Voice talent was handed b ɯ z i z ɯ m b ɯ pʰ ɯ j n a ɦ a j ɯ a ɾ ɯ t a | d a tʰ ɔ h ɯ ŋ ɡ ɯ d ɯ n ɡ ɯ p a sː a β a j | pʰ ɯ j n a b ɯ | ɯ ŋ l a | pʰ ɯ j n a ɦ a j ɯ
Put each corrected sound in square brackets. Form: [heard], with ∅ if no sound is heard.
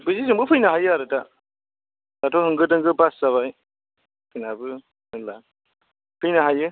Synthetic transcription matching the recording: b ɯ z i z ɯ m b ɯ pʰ ɯ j n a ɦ a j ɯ a ɾ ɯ t a | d a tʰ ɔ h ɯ ŋ ɡ ɯ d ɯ [ŋ] ɡ ɯ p a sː a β a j | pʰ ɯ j n a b ɯ | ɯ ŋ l a | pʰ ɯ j n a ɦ a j ɯ